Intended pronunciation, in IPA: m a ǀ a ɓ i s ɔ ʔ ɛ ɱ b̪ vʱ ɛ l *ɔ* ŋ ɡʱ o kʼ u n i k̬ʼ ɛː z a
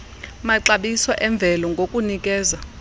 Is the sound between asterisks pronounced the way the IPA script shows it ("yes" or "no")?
yes